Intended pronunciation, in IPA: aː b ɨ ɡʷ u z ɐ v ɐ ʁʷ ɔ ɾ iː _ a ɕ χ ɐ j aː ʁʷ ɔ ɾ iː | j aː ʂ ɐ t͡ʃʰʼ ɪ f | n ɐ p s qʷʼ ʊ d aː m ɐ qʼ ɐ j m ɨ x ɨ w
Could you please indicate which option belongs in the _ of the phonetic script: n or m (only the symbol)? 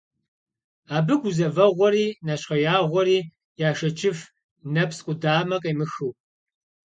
n